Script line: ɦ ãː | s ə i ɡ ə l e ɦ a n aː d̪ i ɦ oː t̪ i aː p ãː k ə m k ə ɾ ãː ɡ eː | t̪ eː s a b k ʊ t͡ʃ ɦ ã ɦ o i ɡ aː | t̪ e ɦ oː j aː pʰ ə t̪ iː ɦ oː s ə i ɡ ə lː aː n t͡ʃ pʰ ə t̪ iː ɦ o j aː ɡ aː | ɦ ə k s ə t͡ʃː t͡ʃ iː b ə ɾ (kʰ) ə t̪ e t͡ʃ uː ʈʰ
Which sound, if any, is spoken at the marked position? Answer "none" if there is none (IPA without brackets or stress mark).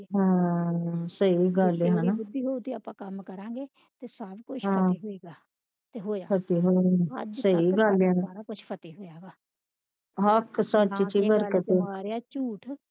k